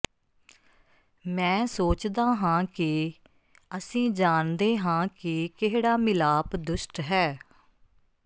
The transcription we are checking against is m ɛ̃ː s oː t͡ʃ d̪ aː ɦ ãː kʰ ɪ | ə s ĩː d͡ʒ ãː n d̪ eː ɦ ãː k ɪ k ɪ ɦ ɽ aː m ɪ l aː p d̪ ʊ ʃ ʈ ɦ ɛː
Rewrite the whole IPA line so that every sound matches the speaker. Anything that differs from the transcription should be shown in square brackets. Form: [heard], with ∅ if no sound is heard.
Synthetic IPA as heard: m ɛ̃ː s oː t͡ʃ d̪ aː ɦ ãː [k] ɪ | ə s ĩː d͡ʒ [aː] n d̪ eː ɦ ãː k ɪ k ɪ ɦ ɽ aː m ɪ l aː p d̪ ʊ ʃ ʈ ɦ ɛː